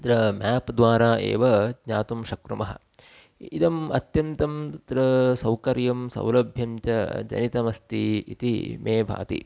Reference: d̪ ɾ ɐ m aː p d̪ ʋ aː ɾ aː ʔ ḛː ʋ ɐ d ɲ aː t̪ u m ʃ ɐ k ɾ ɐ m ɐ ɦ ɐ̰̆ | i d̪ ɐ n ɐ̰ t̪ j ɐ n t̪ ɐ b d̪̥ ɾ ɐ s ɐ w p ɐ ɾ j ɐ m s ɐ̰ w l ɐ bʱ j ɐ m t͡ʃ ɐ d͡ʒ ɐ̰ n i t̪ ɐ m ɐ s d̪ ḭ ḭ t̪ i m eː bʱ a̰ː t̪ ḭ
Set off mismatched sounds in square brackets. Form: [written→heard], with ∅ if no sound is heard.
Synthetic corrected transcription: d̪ ɾ ɐ m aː p d̪ ʋ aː ɾ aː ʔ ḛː ʋ ɐ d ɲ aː t̪ u m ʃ ɐ k ɾ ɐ m ɐ ɦ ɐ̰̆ | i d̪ ɐ [n→m] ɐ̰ t̪ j ɐ n t̪ ɐ [b→m] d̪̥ ɾ ɐ s ɐ w [p→k] ɐ ɾ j ɐ m s ɐ̰ w l ɐ bʱ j ɐ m t͡ʃ ɐ d͡ʒ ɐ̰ n i t̪ ɐ m ɐ s [d̪→t̪] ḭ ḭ t̪ i m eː bʱ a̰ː t̪ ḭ